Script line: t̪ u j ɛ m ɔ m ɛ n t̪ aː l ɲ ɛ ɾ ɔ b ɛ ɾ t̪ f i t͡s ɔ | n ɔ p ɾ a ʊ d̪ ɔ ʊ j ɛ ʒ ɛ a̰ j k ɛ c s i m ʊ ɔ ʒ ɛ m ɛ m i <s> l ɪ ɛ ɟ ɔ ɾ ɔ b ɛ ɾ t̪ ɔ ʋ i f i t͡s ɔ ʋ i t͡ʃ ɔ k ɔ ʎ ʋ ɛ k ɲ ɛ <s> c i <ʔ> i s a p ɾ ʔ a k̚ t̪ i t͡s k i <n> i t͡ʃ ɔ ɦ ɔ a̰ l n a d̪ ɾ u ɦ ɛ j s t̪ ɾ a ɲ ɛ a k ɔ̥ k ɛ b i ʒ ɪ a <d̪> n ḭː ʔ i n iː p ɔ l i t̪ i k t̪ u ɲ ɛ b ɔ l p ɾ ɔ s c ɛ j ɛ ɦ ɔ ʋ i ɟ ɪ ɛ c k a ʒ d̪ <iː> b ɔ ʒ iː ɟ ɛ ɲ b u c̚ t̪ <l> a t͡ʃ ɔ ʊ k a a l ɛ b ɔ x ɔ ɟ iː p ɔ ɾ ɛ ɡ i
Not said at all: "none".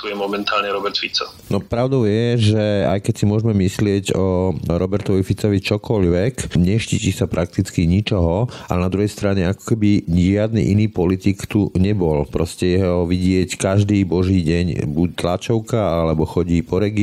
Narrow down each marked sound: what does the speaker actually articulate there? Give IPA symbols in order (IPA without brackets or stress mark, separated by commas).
s, ʃ, c, ɲ, d̪, iː, l